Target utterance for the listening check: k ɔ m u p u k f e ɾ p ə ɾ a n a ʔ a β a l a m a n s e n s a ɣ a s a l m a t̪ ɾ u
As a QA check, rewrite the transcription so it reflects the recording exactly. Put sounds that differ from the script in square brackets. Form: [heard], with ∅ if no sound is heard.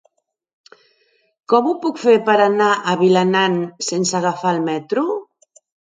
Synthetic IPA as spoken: k ɔ m u p u k f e ɾ p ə ɾ a n a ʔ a β [i] l a [n] a n s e n s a ɣ a [f] a l m [ɛ] t̪ ɾ u